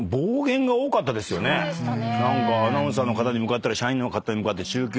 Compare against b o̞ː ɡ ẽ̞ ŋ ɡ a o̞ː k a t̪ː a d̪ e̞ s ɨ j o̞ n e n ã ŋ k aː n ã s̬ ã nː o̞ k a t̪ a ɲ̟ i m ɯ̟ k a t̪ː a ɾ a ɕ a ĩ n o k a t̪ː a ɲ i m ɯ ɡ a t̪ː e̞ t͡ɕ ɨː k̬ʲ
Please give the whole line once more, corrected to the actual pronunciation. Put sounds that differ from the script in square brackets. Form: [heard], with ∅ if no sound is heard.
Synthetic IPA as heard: b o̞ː ɡ ẽ̞ ŋ ɡ a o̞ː k a t̪ː a d̪ e̞ s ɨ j o̞ n e n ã ŋ k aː n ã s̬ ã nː o̞ k a t̪ a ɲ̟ i m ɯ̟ k a t̪ː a ɾ a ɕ a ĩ n o k a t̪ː a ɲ i m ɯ [k] a t̪ː e̞ t͡ɕ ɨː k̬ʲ